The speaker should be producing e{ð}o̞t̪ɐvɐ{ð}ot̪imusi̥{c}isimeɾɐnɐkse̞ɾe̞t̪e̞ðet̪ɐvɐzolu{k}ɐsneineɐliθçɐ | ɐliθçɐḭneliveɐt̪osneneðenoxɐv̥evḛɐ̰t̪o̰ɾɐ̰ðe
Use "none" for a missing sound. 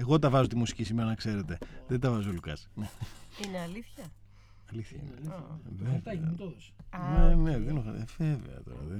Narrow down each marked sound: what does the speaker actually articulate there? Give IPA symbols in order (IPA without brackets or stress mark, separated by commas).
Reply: ɣ, z, c, k